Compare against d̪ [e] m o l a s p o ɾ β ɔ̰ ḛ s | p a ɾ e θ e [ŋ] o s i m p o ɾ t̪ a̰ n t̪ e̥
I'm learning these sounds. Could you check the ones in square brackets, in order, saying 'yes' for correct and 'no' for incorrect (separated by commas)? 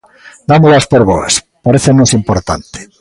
no, no